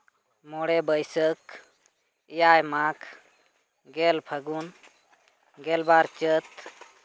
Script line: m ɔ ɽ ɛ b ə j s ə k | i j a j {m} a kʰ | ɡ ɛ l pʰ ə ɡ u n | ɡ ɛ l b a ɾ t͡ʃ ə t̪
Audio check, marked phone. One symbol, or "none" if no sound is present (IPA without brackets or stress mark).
m